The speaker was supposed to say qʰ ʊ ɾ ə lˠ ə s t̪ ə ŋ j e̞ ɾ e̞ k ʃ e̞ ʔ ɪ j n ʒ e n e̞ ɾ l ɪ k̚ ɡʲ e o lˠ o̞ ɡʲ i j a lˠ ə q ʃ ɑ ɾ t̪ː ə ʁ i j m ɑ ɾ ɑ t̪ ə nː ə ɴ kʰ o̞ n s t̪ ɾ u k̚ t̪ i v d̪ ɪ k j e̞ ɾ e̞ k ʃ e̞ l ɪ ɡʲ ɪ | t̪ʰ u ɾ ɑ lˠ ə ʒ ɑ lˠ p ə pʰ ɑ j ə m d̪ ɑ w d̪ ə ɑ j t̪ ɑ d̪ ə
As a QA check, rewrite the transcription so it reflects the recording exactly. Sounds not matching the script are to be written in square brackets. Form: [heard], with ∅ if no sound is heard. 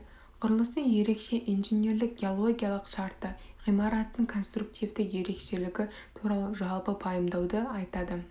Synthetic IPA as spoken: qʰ ʊ ɾ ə lˠ ə s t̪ ə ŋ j e̞ ɾ e̞ k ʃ e̞ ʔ [i] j n ʒ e n e̞ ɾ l ɪ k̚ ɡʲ e o lˠ o̞ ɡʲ i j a lˠ ə q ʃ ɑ ɾ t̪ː ə ʁ i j m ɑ ɾ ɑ t̪ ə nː ə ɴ kʰ o̞ n s t̪ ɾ u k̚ t̪ i v d̪ ɪ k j e̞ ɾ e̞ k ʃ e̞ l ɪ ɡʲ ɪ | t̪ʰ u ɾ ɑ lˠ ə ʒ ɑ lˠ p ə pʰ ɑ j ə m d̪ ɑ w d̪ ə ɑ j t̪ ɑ d̪ ə